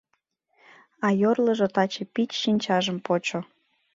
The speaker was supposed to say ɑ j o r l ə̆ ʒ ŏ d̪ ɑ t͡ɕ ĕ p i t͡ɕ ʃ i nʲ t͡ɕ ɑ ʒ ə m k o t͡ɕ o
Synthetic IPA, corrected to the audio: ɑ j o r l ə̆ ʒ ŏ t̪ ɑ t͡ɕ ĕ p i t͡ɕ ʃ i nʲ t͡ɕ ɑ ʒ ə m p o t͡ɕ o